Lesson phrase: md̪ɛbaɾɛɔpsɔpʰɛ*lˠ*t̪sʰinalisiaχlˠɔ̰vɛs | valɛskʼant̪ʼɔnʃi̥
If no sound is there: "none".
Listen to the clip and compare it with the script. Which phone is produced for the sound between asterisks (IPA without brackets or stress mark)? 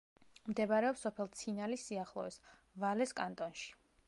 lˠ